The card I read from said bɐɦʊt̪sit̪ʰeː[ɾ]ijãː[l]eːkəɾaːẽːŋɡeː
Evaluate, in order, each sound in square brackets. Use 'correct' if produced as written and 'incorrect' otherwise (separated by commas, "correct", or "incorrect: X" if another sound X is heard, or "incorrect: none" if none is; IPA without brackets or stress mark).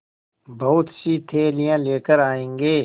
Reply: incorrect: l, correct